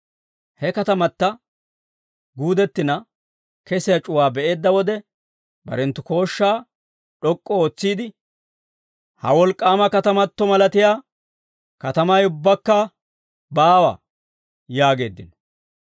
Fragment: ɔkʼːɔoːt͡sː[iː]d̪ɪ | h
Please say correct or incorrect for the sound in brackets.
correct